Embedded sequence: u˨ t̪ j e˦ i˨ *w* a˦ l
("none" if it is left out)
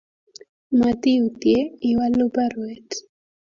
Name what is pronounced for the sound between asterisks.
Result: w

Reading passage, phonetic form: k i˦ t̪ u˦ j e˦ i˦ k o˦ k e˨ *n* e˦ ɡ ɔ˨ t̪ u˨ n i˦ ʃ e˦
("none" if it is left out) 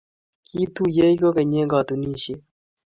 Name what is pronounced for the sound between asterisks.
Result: ɲ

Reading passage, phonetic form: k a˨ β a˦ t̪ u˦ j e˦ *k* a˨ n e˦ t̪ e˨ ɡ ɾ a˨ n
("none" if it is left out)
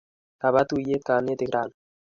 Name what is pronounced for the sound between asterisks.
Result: k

